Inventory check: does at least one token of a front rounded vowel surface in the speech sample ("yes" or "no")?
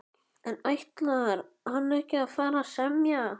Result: no